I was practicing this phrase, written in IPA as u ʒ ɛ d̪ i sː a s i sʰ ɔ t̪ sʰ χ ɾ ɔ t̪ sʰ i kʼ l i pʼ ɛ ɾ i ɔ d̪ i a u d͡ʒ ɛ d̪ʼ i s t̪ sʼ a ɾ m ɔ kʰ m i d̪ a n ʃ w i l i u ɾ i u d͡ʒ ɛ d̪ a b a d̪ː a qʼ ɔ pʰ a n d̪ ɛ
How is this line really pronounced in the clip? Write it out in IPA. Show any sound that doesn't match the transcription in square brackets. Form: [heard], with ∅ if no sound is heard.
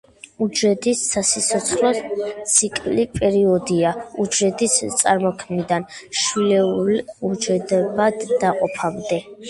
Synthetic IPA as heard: u [d͡ʒ] ɛ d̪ i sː a s i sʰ ɔ t̪ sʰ χ [l] ɔ t̪ sʰ i kʼ l i pʼ ɛ ɾ i ɔ d̪ i a u d͡ʒ ɛ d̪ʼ i s t̪ sʼ a ɾ m ɔ kʰ m i d̪ a n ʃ w i l [ɛ] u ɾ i u d͡ʒ ɛ d̪ [ɛ] b a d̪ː a qʼ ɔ pʰ a [m] d̪ ɛ